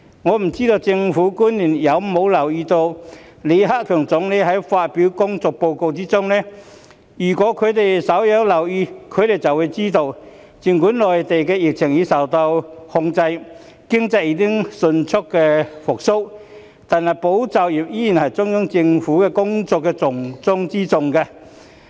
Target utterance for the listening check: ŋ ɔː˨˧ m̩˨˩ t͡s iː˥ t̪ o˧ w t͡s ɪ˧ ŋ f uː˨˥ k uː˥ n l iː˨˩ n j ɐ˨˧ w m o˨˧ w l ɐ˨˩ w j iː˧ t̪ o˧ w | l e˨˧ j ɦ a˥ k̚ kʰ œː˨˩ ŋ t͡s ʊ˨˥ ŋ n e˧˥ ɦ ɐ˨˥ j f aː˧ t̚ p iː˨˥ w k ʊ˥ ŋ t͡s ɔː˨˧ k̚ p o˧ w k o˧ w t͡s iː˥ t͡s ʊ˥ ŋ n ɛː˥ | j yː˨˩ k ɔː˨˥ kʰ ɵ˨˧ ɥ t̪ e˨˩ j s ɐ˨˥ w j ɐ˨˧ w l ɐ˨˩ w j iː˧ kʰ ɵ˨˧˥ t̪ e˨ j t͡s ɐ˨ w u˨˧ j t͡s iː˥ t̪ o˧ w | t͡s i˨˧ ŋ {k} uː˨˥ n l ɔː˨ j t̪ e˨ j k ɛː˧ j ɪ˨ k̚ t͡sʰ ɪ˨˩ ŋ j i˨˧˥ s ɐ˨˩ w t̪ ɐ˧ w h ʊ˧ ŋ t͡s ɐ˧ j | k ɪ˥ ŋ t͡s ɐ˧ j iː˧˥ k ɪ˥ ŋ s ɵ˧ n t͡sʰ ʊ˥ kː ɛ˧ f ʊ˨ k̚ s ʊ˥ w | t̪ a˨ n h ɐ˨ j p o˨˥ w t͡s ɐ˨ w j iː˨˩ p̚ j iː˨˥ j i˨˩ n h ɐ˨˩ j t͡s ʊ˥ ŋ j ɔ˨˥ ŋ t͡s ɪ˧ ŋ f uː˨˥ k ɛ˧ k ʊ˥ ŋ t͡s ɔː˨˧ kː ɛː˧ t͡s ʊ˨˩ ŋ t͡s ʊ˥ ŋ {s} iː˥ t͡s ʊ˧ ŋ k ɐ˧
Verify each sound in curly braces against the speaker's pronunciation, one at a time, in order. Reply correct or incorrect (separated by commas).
correct, incorrect